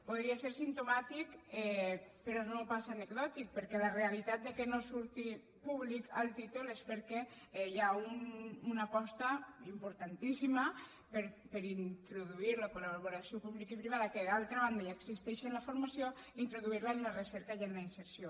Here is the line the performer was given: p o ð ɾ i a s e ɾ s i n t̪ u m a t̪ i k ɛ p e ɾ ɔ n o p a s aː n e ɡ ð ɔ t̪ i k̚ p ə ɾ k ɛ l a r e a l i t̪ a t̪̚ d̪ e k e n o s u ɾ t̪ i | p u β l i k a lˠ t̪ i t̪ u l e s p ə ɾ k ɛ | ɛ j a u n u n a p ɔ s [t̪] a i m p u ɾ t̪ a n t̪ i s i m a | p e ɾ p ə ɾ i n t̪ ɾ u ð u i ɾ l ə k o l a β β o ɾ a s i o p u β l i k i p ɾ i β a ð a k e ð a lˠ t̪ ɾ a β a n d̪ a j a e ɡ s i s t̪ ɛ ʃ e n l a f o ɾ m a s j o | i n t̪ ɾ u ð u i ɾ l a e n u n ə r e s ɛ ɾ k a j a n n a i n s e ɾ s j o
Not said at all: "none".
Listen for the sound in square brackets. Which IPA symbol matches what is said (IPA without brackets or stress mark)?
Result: t̪